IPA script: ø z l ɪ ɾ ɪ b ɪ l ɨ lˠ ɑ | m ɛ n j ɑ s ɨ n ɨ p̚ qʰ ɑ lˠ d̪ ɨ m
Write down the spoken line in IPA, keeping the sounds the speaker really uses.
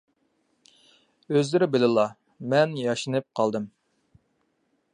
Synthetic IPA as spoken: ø z l ɪ ɾ ɪ b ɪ l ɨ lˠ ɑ | m ɛ n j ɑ ʃ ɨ n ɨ p̚ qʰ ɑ lˠ d̪ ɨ m

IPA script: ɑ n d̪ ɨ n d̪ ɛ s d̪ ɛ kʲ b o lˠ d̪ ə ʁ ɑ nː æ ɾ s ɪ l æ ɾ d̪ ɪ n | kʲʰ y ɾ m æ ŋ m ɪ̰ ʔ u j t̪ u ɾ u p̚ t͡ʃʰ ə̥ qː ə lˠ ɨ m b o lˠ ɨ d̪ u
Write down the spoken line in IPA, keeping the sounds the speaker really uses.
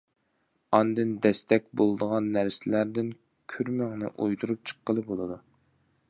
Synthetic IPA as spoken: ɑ n d̪ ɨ n d̪ ɛ s t̪ ɛ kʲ b o lˠ d̪ ə ʁ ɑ nː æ ɾ s ɪ l æ ɾ d̪ ɪ n | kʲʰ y ɾ m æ ŋ n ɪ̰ ʔ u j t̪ u ɾ u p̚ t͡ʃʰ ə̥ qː ə lˠ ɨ b o lˠ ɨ d̪ u

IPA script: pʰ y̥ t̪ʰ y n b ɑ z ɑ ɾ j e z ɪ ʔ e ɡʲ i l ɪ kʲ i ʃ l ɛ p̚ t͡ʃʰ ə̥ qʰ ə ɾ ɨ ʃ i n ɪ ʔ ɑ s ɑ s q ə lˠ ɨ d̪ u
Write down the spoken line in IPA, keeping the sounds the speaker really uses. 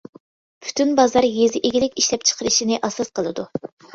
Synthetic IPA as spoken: pʰ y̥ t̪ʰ y n b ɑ z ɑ ɾ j e z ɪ ʔ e ɡʲ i l ɪ kʲ i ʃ l ɛ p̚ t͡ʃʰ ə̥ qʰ ə ɾ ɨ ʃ i n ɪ ʔ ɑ s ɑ s q ə lˠ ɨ d̪ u

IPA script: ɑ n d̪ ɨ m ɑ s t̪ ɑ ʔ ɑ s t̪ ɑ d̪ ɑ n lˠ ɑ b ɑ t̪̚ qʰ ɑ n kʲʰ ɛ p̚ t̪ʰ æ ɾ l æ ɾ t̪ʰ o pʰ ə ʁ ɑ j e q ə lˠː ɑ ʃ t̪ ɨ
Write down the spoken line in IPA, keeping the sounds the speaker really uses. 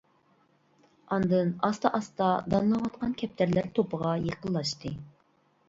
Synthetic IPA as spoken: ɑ n d̪ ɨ n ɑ s t̪ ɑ ʔ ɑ s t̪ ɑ d̪ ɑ n lˠ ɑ w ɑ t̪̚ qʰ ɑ n kʲʰ ɛ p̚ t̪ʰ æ ɾ l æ ɾ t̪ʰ o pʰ ə ʁ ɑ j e q ə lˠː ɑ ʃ t̪ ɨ

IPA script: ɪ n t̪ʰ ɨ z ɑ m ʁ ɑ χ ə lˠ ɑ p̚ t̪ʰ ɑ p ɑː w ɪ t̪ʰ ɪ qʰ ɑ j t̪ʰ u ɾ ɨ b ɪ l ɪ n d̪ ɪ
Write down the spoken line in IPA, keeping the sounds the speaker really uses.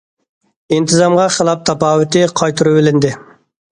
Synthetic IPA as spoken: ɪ n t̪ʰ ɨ z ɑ m ʁ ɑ χ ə lˠ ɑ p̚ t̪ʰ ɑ p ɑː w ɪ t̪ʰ ɪ qʰ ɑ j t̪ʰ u ɾ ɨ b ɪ l ɪ n d̪ ɪ

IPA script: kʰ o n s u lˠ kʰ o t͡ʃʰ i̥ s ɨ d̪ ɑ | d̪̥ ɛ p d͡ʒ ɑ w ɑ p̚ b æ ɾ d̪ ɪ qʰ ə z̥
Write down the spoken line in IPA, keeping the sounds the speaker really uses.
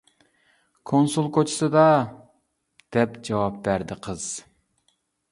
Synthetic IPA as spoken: kʰ o n s u lˠ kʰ o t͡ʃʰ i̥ s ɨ d̪ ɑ | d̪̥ ɛ p d͡ʒ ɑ w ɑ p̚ b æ ɾ d̪ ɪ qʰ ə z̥

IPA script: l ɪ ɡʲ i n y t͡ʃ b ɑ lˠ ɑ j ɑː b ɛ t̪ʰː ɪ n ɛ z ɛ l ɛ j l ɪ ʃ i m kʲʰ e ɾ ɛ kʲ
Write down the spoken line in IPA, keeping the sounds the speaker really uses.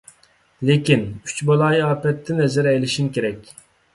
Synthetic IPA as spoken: l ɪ kʲ i n y t͡ʃ b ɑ lˠ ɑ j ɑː p ɛ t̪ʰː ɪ n ɛ z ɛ ɾ ɛ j l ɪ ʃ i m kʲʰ e ɾ ɛ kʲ

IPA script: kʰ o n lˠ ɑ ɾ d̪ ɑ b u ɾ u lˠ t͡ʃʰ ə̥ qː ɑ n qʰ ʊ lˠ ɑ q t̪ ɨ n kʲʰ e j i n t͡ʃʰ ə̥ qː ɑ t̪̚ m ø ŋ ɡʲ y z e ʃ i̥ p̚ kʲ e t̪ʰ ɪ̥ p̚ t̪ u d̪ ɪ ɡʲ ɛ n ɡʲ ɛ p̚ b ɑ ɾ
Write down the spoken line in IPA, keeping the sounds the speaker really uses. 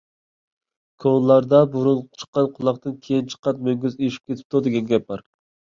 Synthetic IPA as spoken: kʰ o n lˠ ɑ ɾ d̪ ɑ b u ɾ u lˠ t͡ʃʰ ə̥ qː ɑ n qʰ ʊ lˠ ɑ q t̪ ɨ n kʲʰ e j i n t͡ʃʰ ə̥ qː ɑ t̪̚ m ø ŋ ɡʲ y z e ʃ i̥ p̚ kʲ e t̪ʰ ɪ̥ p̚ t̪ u d̪ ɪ ɡʲ ɛ n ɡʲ ɛ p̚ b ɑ ɾ

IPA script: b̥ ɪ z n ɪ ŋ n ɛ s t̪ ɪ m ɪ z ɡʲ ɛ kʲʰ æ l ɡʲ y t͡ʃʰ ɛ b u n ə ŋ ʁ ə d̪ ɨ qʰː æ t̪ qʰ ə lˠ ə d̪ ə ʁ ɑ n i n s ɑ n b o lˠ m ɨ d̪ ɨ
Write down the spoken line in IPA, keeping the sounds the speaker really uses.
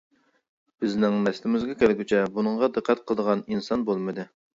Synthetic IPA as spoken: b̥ ɪ z n ɪ ŋ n ɛ s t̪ ɪ m ɪ z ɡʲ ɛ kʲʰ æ l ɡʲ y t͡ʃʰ ɛ b u n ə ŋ ʁ ɑ d̪ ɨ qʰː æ t̪ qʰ ə lˠ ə d̪ ə ʁ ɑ n i n s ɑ n b o lˠ m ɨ d̪ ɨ

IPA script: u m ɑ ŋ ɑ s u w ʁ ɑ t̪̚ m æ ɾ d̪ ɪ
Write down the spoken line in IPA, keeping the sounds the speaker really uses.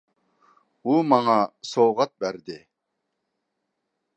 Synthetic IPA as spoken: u m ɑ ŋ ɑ s o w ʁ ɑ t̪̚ b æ ɾ d̪ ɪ

